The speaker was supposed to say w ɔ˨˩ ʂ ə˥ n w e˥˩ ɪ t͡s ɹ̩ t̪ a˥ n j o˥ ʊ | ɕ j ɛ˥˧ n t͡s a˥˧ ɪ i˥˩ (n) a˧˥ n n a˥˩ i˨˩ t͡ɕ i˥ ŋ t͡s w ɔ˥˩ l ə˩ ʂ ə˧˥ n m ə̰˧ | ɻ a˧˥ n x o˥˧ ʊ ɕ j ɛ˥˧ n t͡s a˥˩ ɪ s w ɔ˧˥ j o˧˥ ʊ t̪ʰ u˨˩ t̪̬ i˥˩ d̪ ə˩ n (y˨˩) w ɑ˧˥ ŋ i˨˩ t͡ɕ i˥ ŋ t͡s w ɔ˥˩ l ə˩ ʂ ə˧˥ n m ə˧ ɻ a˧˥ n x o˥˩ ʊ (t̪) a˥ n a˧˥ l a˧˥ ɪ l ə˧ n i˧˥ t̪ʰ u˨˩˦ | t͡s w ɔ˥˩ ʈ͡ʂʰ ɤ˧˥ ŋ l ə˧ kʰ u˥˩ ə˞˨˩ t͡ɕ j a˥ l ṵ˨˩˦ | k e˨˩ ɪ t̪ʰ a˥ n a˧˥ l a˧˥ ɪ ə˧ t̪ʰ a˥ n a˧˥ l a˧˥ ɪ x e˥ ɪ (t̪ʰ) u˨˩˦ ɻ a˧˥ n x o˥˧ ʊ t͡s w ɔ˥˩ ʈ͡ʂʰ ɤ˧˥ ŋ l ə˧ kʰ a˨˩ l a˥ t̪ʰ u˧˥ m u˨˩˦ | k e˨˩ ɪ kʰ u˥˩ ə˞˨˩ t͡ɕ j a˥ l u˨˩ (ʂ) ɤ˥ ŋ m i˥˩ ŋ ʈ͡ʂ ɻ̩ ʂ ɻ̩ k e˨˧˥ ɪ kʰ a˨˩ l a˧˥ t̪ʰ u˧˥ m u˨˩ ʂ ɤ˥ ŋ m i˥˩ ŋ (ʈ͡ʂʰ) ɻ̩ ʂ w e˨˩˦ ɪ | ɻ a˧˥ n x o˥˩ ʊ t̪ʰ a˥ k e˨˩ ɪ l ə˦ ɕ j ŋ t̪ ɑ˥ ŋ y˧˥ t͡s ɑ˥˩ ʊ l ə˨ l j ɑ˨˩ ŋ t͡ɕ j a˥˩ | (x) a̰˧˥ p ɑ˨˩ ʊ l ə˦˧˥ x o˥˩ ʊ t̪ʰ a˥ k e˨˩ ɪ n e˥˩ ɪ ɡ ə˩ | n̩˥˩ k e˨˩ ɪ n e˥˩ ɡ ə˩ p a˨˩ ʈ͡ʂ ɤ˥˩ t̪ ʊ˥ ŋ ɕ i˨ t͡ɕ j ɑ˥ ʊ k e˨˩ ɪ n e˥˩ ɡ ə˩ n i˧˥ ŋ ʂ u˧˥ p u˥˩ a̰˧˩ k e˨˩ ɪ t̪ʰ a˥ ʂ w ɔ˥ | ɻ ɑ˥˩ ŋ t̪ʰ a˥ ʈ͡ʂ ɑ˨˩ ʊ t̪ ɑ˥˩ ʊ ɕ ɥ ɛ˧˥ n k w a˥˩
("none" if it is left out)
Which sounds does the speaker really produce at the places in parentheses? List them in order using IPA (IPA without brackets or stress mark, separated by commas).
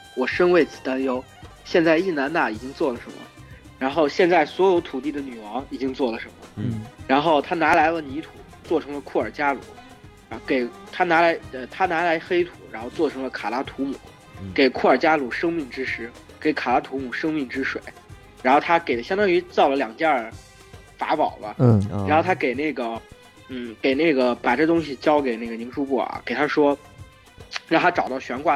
n, y˨˩, t̪ʰ, t̪ʰ, ʂ, ʈ͡ʂ, f